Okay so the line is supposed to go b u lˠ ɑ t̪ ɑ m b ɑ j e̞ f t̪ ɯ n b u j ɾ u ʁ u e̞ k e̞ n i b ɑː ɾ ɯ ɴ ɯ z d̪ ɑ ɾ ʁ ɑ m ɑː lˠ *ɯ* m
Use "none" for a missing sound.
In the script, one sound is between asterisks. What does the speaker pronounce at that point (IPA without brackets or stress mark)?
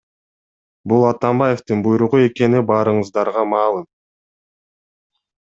ɯ